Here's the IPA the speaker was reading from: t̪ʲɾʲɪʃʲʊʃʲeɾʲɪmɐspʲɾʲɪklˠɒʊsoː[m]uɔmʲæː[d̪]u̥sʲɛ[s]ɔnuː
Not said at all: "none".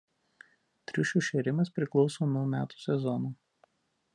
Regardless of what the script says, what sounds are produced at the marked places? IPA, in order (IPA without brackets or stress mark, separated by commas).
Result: n, t̪, z